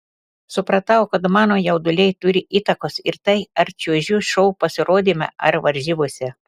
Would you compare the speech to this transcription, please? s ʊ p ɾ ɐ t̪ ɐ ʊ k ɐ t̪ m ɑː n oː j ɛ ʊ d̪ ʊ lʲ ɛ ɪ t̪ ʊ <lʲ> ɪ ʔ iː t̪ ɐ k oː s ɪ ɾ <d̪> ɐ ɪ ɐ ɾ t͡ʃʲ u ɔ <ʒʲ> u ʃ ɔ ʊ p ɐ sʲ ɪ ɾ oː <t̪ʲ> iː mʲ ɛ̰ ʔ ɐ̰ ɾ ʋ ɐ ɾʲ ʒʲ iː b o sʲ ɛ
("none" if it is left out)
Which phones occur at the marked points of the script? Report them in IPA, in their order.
ɾʲ, t̪, ʒʲ, d̪ʲ

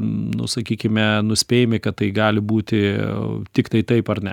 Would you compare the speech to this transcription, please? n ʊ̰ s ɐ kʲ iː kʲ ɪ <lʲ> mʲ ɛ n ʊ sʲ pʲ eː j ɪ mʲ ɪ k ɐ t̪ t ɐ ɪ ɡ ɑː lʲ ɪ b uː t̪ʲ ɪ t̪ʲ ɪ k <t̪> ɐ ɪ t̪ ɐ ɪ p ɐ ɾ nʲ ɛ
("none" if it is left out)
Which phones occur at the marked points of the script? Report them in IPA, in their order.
none, t̪

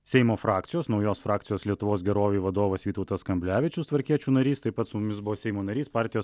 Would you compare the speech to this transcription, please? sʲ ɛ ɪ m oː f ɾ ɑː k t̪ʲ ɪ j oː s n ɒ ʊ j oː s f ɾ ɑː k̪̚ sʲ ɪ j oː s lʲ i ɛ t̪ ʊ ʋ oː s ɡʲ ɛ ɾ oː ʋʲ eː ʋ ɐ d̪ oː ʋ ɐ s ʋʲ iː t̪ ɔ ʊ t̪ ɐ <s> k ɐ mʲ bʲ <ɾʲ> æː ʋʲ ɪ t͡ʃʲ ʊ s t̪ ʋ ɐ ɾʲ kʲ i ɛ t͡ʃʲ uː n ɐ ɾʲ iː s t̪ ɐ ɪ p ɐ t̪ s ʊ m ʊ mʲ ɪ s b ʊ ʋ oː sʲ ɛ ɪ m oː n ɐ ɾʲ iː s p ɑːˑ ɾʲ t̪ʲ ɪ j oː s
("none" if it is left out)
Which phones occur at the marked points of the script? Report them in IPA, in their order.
s, lʲ

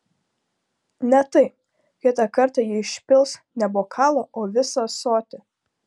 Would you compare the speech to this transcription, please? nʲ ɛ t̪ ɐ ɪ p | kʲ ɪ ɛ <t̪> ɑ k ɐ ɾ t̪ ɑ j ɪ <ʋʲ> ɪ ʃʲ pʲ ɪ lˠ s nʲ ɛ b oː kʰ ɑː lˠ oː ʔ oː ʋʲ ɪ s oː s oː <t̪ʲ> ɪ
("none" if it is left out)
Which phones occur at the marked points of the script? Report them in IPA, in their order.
t̪, none, t̪ʲ

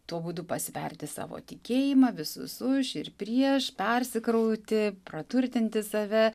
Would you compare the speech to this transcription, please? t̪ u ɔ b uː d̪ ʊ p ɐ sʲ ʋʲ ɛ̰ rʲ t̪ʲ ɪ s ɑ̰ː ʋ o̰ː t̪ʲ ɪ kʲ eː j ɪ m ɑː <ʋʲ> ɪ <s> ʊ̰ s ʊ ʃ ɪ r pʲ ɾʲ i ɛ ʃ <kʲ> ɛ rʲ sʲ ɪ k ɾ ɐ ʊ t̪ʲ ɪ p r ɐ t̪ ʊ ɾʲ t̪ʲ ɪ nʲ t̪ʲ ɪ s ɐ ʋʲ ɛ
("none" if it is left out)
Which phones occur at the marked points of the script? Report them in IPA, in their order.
ʋʲ, s, pʲ

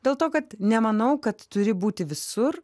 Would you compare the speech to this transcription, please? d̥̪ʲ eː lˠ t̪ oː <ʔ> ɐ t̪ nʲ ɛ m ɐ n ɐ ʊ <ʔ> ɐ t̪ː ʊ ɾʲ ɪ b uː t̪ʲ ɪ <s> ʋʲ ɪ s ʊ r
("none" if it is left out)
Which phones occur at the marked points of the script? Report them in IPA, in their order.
k, k, none

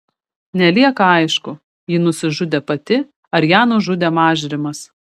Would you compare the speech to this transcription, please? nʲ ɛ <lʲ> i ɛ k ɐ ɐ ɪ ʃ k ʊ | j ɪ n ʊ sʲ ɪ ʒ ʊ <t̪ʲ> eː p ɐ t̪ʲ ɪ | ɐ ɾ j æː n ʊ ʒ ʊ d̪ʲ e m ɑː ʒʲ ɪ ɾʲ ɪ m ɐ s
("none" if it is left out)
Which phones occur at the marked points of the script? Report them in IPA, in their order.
lʲ, d̪ʲ

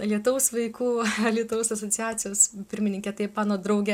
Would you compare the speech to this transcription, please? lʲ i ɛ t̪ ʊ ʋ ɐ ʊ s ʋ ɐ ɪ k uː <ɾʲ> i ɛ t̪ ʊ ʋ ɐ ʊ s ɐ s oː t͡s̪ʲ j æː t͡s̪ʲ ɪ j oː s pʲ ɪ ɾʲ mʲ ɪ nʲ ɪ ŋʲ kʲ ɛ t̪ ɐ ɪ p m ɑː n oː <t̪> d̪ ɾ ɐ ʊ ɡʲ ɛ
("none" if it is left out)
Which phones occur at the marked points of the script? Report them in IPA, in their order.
lʲ, none

